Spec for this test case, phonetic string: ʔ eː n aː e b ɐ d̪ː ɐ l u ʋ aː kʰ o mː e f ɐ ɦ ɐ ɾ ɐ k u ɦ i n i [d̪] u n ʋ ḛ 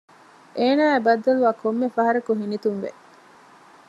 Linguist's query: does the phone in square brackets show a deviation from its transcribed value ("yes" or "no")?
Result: yes